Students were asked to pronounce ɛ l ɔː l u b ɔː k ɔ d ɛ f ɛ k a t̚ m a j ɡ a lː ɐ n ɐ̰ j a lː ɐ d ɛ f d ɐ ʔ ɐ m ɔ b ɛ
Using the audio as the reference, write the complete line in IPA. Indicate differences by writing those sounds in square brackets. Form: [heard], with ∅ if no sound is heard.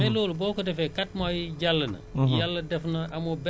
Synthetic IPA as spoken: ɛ l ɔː l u b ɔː k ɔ d ɛ f ɛ k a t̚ m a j [ɟ] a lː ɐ n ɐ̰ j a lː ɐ d ɛ f [n] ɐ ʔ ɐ m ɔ b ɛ